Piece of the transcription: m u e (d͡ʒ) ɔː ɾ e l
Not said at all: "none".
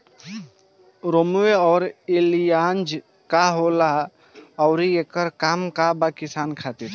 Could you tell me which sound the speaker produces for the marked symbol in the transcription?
none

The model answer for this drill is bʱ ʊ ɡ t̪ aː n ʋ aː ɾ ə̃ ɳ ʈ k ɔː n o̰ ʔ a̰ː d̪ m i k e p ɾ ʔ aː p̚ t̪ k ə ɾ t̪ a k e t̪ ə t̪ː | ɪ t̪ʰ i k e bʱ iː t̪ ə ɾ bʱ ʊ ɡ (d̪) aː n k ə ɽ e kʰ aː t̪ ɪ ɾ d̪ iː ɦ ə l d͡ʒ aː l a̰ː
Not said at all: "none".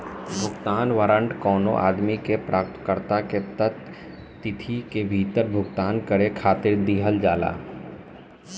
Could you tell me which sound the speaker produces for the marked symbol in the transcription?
t̪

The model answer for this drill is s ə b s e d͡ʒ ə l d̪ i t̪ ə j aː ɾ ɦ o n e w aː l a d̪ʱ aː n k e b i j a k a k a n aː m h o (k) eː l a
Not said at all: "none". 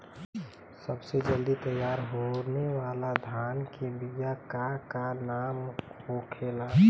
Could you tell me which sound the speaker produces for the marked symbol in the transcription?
kʰ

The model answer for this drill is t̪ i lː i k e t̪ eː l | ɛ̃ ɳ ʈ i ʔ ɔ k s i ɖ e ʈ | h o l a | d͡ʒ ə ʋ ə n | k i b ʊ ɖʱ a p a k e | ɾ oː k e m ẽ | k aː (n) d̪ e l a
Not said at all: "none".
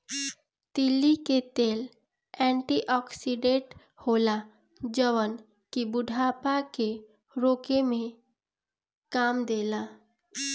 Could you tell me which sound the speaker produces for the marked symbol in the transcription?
m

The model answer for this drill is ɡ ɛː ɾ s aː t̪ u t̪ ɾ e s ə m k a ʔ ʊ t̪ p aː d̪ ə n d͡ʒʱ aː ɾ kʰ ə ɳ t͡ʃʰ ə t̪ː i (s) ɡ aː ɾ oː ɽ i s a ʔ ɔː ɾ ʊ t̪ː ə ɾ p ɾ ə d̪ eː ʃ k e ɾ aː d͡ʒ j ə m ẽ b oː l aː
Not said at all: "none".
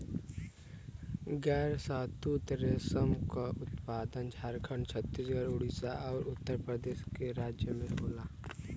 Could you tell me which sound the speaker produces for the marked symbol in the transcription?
s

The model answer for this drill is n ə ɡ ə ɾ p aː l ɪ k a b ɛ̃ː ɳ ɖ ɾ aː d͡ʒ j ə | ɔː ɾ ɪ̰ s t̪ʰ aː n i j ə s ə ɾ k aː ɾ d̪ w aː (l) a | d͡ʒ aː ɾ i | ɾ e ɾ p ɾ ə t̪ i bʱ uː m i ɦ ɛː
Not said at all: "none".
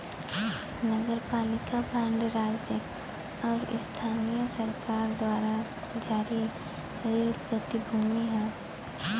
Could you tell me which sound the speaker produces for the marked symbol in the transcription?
ɾ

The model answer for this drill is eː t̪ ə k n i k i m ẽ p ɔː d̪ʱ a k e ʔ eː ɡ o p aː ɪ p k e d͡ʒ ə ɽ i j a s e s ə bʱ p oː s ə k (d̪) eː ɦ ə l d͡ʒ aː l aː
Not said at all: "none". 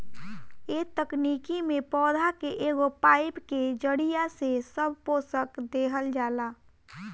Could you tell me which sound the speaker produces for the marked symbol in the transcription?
d̪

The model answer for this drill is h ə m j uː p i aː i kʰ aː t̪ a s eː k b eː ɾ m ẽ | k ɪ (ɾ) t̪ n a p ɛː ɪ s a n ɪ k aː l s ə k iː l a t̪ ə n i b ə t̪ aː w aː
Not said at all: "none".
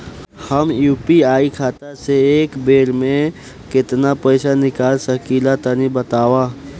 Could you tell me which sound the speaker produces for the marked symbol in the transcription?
none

